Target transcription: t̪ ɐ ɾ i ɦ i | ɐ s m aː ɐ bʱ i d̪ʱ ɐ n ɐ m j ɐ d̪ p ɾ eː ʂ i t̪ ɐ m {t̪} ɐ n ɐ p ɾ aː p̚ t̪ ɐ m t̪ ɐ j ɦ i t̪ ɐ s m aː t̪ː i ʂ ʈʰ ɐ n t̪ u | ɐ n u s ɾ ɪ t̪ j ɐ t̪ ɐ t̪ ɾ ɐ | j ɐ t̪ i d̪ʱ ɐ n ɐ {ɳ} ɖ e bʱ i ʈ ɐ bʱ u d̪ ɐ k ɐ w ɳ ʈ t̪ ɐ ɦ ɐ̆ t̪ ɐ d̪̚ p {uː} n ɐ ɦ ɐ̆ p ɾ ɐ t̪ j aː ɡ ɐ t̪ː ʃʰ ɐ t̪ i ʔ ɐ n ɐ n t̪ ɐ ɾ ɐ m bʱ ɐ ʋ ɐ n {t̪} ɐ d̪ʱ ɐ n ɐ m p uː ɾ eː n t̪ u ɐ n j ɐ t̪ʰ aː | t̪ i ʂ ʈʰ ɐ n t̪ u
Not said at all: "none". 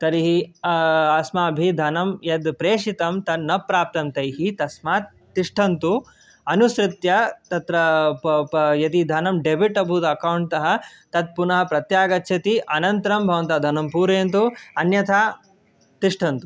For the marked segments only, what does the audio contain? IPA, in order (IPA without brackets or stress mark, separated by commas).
t̪, m, u, t̪